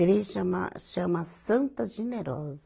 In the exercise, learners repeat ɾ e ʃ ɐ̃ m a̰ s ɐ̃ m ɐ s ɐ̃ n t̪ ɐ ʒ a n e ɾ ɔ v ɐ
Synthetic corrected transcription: ɾ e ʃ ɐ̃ m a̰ ʃ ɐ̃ m ɐ s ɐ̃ n t̪ ɐ ʒ e n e ɾ ɔ z ɐ

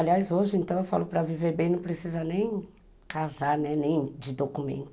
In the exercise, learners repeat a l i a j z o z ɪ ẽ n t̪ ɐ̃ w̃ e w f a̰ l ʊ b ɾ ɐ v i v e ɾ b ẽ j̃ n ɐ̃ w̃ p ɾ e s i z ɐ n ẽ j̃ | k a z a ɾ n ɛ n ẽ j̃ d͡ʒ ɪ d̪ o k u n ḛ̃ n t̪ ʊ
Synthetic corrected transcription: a l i a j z o ʒ ɪ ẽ n t̪ ɐ̃ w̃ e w f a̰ l ʊ p ɾ ɐ v i v e ɾ b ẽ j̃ n ɐ̃ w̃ p ɾ e s i z ɐ n ẽ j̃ | k a z a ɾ n ɛ n ẽ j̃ d͡ʒ ɪ d̪ o k u m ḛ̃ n t̪ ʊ

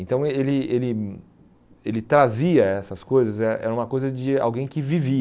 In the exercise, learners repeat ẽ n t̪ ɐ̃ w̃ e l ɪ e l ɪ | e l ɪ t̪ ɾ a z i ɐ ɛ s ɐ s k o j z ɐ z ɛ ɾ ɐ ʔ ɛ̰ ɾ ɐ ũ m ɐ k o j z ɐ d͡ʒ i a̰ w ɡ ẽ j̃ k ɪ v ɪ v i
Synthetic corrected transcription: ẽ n t̪ ɐ̃ w̃ e l ɪ e l ɪ | e l ɪ t̪ ɾ a z i ɐ ɛ s ɐ s k o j z ɐ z ɛ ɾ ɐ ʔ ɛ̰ ɾ ɐ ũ m ɐ k o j z ɐ d͡ʒ ɪ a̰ w ɡ ẽ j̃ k ɪ v i v i

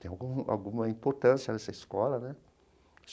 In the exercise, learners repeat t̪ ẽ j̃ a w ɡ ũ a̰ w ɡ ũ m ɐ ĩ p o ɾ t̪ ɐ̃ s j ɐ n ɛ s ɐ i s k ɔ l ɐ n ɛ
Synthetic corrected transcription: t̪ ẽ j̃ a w ɡ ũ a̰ w ɡ ũ m ɐ ĩ p o ɾ t̪ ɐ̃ s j ɐ n ɛ s ɐ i s k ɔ l ɐ n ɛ

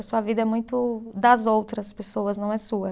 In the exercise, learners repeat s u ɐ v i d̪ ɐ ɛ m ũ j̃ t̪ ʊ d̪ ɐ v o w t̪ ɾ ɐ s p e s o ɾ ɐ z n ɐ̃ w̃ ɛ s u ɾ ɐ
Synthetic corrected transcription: s u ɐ v i d̪ ɐ ɛ m ũ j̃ t̪ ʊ d̪ ɐ z o w t̪ ɾ ɐ s p e s o ɐ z n ɐ̃ w̃ ɛ s u ɐ

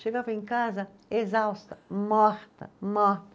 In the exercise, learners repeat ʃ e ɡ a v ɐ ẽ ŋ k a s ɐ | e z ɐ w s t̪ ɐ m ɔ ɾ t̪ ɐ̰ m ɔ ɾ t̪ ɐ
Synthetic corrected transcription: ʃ e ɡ a v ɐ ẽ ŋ k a z ɐ | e z a w s t̪ ɐ m ɔ ɾ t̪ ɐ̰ m ɔ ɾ t̪ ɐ

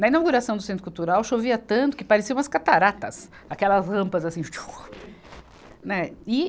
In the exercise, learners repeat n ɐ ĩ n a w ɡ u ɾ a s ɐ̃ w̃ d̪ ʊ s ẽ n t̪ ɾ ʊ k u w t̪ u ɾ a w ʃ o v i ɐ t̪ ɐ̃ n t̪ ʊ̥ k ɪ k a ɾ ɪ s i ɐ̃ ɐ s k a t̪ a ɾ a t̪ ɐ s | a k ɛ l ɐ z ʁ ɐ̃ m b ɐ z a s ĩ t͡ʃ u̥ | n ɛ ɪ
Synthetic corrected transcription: n ɐ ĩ n a w ɡ u ɾ a s ɐ̃ w̃ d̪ ʊ s ẽ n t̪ ɾ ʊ k u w t̪ u ɾ a w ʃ o v i ɐ t̪ ɐ̃ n t̪ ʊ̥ k ɪ p a ɾ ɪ s i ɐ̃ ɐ s k a t̪ a ɾ a t̪ ɐ s | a k ɛ l ɐ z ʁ ɐ̃ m p ɐ z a s ĩ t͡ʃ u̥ | n ɛ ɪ

